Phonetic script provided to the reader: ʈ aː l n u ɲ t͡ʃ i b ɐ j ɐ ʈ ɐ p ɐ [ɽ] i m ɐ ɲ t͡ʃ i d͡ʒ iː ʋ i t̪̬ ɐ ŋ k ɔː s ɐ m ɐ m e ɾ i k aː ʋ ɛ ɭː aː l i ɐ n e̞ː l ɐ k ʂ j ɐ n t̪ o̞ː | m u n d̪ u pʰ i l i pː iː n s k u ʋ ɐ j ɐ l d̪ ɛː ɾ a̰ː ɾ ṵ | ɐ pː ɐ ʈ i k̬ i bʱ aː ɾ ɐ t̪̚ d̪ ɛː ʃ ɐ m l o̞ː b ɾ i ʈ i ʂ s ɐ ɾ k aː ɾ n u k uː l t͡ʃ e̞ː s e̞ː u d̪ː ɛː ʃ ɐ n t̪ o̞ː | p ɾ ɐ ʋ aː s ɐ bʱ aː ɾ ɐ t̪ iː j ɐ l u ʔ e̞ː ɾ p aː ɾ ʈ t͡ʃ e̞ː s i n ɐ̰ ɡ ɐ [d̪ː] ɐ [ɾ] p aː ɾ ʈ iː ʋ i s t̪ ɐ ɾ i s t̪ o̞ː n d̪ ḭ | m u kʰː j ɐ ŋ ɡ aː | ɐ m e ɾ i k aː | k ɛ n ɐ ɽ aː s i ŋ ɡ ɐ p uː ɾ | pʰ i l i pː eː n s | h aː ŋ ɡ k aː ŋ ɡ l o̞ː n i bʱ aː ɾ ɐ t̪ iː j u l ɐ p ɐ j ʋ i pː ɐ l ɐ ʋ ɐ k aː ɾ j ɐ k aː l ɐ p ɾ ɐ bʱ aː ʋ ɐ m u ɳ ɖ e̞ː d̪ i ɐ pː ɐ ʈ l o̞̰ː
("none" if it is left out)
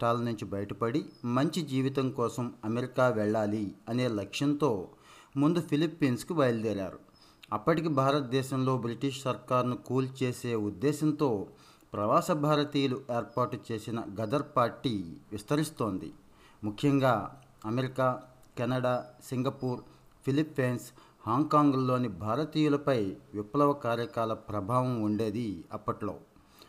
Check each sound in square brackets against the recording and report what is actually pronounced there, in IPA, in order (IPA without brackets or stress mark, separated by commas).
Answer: ɽ, d̪, ɾ